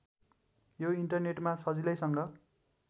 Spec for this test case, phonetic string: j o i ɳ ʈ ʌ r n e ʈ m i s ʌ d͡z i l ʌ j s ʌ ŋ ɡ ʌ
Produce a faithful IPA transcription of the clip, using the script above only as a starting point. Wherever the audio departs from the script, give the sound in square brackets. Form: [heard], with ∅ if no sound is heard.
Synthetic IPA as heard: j o i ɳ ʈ ʌ r n e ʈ m [a] s ʌ d͡z i l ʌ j s ʌ ŋ ɡ ʌ